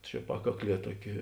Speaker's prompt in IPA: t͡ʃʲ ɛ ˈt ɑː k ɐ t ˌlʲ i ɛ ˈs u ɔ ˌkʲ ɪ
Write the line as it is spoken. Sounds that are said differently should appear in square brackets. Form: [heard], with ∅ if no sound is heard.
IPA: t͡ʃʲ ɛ [ˈp] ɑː k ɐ [k] ˌlʲ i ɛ [ˈt] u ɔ ˌkʲ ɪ